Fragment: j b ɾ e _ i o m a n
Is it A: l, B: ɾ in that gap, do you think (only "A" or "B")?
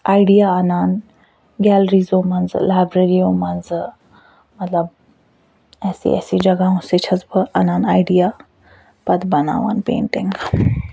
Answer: B